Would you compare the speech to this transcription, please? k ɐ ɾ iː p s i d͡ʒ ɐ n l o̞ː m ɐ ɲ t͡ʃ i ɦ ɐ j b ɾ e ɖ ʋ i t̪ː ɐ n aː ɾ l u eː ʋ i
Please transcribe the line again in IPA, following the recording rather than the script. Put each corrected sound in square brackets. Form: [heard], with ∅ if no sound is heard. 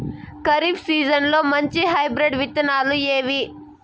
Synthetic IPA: k ɐ ɾ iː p s [iː] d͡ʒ ɐ n l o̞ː m ɐ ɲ t͡ʃ i ɦ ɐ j b ɾ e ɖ ʋ i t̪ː ɐ n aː [∅] l u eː ʋ i